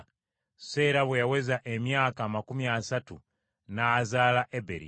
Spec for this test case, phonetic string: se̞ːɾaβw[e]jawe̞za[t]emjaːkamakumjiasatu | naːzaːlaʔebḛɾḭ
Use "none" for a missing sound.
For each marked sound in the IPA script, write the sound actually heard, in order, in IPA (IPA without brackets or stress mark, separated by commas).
e, ʔ